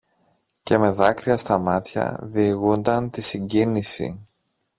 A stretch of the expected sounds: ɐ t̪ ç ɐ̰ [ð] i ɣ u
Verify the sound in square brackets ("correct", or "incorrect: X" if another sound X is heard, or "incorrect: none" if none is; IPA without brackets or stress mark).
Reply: correct